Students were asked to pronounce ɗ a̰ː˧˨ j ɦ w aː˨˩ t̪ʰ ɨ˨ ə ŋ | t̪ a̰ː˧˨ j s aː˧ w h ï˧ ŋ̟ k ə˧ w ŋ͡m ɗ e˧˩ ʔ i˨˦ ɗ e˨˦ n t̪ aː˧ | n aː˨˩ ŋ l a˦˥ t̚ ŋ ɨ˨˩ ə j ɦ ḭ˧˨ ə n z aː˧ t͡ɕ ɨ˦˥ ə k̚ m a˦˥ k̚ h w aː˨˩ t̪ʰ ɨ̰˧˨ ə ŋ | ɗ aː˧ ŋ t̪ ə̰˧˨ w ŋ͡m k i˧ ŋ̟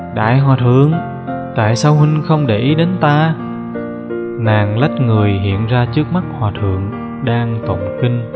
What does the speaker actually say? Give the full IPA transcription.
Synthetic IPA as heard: ɗ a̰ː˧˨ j ɦ w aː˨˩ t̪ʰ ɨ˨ ə ŋ | t̪ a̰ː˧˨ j s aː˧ w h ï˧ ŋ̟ x ə˧ w ŋ͡m ɗ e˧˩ ʔ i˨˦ ɗ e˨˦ n t̪ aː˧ | n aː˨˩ ŋ l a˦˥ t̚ ŋ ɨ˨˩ ə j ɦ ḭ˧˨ ə n z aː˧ t͡ɕ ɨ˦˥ ə k̚ m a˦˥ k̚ h w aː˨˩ t̪ʰ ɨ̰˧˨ ə ŋ | ɗ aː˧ ŋ t̪ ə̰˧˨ w ŋ͡m k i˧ ŋ̟